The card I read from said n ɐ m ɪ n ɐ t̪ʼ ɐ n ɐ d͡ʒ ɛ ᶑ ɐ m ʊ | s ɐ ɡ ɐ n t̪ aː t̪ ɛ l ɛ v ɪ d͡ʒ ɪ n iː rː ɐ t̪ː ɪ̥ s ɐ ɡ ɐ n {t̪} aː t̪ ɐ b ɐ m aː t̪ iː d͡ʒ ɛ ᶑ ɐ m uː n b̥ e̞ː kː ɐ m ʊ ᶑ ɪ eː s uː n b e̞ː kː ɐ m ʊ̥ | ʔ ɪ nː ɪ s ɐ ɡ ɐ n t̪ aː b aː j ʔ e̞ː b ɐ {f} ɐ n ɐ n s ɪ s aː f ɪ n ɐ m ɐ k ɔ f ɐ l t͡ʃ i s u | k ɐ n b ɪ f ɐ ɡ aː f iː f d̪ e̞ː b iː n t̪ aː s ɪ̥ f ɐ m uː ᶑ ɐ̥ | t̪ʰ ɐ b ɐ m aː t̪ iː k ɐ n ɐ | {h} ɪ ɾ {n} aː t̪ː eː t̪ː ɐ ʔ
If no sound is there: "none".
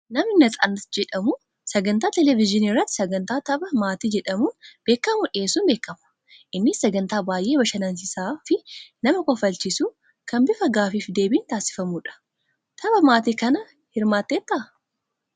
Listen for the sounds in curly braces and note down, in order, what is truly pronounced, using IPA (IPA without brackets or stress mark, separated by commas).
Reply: t̪, ʃ, h, m